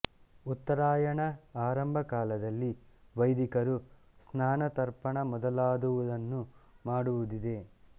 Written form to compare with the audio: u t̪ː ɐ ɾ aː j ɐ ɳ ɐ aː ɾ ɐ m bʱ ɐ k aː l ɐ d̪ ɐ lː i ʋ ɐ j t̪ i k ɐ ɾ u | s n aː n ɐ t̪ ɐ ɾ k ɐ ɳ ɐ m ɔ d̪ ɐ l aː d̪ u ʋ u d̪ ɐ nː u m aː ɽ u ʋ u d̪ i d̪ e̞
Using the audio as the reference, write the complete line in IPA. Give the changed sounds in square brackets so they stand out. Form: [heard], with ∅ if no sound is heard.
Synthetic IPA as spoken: u t̪ː ɐ ɾ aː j ɐ ɳ ɐ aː ɾ ɐ m bʱ ɐ k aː l ɐ d̪ ɐ lː i ʋ ɐ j [d̪] i k ɐ ɾ u | s n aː n ɐ t̪ ɐ ɾ [p] ɐ ɳ ɐ m ɔ d̪ ɐ l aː d̪ u ʋ u d̪ ɐ nː u m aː ɽ u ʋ u d̪ i d̪ e̞